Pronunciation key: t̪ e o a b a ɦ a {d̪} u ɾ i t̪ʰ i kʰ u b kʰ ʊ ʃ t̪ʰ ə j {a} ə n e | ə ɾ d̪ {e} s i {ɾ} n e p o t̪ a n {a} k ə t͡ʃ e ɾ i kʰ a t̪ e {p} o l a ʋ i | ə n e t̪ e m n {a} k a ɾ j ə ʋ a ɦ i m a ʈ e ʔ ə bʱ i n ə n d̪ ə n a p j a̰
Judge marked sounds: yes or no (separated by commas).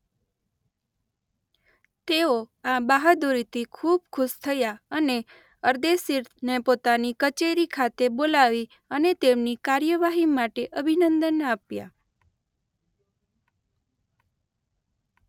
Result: yes, yes, yes, yes, no, no, no